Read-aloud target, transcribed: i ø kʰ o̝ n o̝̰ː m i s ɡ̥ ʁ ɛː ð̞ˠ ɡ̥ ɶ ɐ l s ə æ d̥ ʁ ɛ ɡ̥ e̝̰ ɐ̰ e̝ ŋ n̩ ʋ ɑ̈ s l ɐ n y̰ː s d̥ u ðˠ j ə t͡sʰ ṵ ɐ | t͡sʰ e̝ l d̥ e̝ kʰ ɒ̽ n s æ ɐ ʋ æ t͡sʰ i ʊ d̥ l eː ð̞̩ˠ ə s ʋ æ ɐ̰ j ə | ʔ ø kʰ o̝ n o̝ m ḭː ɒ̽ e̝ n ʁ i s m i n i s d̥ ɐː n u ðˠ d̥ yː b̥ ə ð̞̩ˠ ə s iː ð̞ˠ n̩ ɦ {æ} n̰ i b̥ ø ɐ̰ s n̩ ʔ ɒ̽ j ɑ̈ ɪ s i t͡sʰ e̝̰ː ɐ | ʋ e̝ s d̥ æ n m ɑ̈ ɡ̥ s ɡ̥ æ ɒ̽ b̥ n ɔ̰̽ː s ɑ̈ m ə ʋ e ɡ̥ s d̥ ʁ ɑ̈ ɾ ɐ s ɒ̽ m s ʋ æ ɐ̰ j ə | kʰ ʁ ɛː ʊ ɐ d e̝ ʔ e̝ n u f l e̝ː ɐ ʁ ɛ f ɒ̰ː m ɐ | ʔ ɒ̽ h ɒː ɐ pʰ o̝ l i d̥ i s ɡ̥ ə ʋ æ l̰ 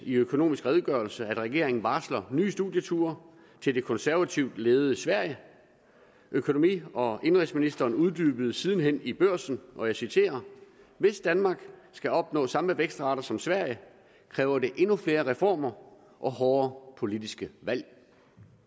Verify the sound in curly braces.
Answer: incorrect: e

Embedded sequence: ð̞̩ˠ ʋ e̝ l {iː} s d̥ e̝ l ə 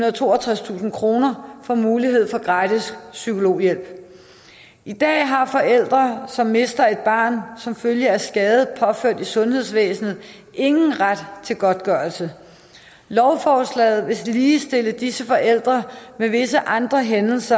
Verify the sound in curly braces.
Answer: correct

